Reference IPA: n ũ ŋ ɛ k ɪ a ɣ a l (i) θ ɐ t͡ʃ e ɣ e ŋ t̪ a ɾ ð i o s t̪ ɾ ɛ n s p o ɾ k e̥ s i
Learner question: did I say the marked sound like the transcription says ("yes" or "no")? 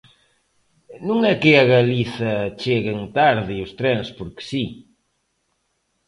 yes